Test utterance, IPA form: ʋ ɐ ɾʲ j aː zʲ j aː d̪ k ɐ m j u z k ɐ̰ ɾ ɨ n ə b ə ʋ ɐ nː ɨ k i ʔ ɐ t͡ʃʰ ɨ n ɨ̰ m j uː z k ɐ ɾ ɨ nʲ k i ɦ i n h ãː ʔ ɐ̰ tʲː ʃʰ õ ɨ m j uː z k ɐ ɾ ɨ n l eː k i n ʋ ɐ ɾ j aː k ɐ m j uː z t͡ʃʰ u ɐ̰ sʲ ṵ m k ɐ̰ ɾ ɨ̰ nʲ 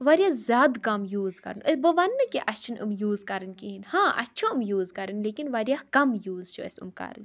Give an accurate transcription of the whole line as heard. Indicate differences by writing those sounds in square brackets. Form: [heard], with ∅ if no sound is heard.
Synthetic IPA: ʋ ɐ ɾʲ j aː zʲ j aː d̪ k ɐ m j [uː] z k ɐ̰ ɾ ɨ n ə b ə ʋ ɐ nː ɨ k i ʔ ɐ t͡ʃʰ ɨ n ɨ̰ m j uː z k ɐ ɾ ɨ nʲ k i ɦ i n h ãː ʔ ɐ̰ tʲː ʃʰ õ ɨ m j uː z k ɐ ɾ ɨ n l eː k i n ʋ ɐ ɾ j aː k ɐ m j uː z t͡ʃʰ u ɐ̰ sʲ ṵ m k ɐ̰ ɾ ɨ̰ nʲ